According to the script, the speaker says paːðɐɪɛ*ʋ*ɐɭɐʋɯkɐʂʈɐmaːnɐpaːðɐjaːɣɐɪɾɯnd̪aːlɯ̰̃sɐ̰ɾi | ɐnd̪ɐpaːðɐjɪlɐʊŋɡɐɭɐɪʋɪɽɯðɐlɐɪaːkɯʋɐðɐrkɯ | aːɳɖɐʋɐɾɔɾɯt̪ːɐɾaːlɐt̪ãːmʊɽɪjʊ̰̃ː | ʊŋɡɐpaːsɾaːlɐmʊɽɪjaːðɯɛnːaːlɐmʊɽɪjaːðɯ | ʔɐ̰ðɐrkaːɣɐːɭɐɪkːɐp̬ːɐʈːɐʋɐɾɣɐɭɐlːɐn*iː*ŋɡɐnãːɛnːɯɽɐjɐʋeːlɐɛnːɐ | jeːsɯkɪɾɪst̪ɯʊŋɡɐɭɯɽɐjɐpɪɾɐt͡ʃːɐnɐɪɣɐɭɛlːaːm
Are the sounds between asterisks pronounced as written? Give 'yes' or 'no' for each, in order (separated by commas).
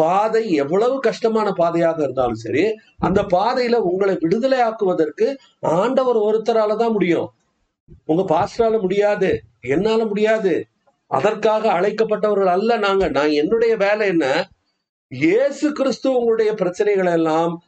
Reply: no, no